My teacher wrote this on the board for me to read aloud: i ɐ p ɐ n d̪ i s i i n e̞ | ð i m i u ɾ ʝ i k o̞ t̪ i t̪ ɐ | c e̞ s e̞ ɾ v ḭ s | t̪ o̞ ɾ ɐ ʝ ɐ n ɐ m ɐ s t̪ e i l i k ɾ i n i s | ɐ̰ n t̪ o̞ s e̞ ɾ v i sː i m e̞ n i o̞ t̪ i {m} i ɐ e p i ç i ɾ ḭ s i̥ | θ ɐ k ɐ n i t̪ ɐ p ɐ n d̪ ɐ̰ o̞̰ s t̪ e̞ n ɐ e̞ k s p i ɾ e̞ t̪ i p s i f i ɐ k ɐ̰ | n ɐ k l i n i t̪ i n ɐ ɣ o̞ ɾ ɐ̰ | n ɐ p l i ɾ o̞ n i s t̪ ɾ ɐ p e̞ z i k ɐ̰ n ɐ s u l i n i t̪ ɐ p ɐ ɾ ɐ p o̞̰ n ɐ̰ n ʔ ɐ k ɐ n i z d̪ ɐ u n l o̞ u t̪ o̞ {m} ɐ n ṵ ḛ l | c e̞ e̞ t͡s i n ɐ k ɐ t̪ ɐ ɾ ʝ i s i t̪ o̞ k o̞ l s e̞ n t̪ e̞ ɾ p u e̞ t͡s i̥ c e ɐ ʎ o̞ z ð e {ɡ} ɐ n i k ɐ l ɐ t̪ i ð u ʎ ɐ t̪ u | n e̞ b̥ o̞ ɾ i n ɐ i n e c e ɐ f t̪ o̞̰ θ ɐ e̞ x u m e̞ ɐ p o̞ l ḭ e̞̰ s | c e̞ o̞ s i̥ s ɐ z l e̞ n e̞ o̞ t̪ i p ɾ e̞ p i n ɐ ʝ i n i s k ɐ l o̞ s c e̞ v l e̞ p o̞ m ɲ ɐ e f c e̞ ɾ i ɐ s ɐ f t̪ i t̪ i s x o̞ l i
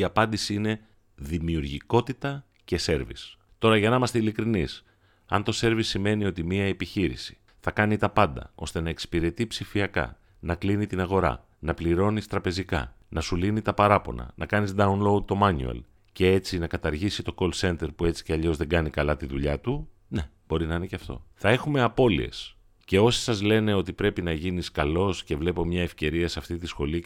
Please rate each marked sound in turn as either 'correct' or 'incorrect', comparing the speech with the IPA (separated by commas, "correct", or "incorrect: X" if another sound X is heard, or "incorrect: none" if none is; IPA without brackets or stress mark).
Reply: correct, correct, correct